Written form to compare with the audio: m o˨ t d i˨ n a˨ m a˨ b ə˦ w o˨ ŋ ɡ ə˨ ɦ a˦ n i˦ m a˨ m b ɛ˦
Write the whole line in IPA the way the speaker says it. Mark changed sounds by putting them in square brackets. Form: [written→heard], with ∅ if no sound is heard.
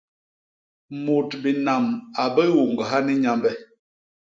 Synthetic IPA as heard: m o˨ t [d→b] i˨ n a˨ m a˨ b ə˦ w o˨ ŋ ɡ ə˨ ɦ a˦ n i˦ [m→ɲ] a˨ m b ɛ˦